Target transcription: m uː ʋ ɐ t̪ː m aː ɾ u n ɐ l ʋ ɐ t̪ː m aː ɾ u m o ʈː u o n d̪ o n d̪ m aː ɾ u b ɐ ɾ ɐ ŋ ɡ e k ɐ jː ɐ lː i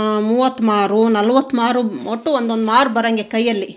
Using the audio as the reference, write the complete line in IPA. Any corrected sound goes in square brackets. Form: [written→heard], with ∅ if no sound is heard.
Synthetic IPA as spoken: m uː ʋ ɐ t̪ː m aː ɾ u n ɐ l ʋ ɐ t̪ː m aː ɾ u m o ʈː u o n d̪ o n d̪ m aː ɾ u b ɐ ɾ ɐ ŋ ɡ e k ɐ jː ɐ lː i